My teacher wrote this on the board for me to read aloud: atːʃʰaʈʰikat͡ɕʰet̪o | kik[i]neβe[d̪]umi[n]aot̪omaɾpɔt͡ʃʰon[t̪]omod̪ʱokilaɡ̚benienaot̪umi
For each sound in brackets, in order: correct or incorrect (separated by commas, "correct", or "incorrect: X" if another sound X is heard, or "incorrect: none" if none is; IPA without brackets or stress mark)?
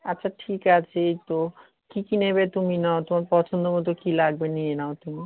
correct, incorrect: t̪, correct, incorrect: d̪